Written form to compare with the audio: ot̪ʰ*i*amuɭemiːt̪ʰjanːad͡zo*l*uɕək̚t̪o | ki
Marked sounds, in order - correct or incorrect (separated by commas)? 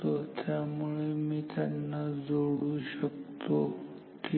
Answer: incorrect, incorrect